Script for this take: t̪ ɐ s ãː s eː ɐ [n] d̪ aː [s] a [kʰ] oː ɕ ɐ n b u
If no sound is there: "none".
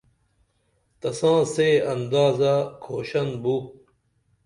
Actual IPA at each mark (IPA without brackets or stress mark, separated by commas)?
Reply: n, z, kʰ